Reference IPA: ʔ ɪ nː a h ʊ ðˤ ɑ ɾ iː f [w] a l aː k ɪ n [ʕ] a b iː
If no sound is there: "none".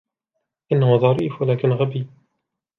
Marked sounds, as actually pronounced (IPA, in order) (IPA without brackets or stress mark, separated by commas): w, ɣ